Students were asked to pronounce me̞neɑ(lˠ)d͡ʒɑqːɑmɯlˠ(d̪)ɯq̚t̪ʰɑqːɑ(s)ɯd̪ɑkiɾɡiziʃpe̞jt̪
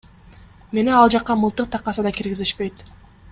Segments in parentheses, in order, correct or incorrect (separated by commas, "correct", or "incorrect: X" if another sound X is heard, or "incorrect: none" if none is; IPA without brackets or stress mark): correct, incorrect: t̪, correct